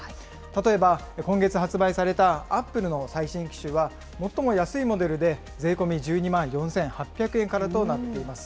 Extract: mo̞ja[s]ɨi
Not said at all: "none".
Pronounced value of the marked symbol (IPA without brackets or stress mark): s